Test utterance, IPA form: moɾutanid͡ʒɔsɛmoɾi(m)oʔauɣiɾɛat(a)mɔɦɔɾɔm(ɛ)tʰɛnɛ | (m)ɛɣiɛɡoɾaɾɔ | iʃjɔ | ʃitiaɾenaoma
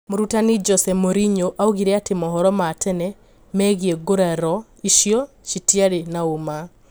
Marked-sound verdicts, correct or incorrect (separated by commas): incorrect, incorrect, incorrect, correct